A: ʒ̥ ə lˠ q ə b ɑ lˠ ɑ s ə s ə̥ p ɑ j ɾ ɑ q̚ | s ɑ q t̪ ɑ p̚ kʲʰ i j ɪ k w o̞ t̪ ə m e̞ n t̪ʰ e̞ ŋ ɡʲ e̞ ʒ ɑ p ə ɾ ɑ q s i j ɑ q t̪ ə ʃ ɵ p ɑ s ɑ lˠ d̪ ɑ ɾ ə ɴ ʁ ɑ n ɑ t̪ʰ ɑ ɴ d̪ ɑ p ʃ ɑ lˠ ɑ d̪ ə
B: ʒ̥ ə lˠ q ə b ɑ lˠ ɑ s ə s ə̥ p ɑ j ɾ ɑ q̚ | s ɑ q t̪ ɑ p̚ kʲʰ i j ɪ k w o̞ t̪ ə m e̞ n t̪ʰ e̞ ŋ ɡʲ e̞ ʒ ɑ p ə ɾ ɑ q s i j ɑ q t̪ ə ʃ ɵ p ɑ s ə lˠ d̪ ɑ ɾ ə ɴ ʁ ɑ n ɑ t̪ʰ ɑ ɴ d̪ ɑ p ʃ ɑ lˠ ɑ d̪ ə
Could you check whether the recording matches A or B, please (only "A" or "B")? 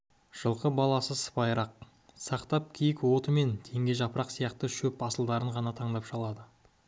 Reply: B